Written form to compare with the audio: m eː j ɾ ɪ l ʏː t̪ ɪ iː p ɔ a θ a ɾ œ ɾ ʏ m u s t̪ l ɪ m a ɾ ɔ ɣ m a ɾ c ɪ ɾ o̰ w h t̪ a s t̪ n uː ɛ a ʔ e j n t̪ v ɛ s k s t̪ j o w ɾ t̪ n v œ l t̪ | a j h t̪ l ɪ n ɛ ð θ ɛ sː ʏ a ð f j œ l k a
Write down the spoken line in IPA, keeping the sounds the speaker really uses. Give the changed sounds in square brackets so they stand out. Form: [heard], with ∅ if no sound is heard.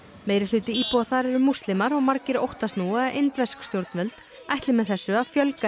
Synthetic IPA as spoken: m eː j ɾ ɪ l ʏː t̪ ɪ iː p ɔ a θ a ɾ [ɛ] ɾ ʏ m u s t̪ l ɪ m a ɾ ɔ ɣ m a ɾ c ɪ ɾ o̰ w h t̪ a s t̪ n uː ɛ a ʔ e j n t̪ v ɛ s k s t̪ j o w ɾ t̪ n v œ l t̪ | a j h t̪ l ɪ [m] ɛ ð θ ɛ sː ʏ a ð f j œ l k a